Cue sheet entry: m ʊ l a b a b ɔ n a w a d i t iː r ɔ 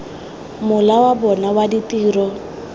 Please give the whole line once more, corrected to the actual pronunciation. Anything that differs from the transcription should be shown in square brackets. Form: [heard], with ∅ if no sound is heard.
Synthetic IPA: m ʊ l a [w] a b ɔ n a w a d i t iː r ɔ